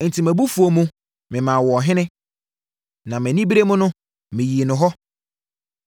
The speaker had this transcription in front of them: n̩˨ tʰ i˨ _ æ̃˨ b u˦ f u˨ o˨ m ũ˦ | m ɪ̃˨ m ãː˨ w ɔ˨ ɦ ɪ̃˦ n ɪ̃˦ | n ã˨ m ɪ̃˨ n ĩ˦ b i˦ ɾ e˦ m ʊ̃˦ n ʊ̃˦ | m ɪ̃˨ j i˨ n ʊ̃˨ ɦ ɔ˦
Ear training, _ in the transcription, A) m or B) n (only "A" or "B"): A